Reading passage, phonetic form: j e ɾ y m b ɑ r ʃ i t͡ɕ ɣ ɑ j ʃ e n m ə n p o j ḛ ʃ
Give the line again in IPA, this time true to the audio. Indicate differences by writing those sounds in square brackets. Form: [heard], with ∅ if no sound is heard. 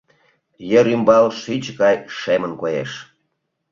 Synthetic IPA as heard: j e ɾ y m b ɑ [l] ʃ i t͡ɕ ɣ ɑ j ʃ e [∅] m ə n [k] o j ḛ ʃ